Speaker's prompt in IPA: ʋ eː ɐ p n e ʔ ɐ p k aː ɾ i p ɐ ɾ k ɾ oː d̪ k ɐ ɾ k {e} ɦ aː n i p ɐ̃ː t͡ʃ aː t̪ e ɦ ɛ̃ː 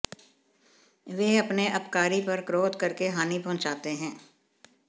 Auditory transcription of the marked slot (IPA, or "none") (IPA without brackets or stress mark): e